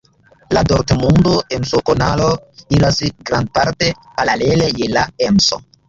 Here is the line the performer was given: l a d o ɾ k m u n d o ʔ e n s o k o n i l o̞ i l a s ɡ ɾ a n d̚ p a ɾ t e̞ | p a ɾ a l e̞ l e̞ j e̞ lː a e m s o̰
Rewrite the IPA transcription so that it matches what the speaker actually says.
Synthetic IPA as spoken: l a d o ɾ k m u n d o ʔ e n s o k o n a l o̞ i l a s ɡ ɾ a n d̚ p a ɾ t e̞ | p a ɾ a l e̞ l e̞ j e̞ l a e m s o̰